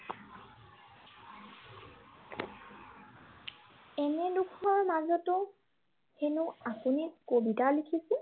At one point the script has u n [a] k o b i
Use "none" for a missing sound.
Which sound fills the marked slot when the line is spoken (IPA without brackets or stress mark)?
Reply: i